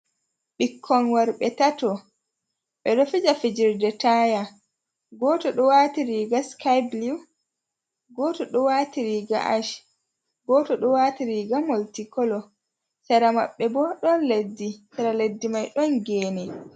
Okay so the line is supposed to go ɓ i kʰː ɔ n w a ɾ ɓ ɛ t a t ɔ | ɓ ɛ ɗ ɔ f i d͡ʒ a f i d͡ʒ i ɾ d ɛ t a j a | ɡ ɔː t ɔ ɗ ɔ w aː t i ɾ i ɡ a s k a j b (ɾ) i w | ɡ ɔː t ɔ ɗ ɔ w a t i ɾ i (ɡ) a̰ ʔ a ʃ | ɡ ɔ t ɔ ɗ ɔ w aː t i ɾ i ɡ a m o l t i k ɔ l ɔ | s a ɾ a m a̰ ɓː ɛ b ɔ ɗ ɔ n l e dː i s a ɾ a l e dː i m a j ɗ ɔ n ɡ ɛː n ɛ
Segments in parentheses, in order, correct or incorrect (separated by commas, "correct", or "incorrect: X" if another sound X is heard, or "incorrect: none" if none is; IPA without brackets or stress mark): incorrect: l, correct